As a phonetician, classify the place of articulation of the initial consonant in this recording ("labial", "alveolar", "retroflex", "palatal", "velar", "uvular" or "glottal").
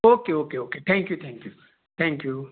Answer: velar